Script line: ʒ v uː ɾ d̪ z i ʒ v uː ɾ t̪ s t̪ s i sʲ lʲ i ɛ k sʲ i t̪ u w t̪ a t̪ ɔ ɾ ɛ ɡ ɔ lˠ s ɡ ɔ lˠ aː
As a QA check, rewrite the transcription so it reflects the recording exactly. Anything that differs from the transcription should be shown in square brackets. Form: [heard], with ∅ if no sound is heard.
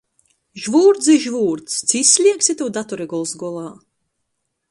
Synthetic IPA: ʒ v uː ɾ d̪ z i ʒ v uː ɾ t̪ s t̪ s i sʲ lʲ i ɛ k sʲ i t̪ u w [d̪] a t̪ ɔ ɾ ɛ ɡ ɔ lˠ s ɡ ɔ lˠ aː